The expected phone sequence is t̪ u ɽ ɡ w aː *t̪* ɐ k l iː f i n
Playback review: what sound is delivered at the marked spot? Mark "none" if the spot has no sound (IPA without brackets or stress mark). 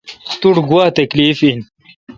t̪